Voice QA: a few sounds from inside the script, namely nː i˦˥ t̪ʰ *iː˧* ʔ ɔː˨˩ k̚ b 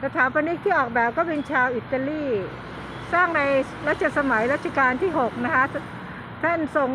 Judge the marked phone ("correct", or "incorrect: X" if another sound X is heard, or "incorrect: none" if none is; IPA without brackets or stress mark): incorrect: iː˥˩